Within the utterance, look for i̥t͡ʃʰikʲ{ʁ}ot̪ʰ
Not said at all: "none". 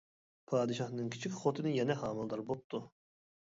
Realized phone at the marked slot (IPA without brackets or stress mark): χ